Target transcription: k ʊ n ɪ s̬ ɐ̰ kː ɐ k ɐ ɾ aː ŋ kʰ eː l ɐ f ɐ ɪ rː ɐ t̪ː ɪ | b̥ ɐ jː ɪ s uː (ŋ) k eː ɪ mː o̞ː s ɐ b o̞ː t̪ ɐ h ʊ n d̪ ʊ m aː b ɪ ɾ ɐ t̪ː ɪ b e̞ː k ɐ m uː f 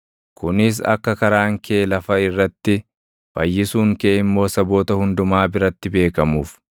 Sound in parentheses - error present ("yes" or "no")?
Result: no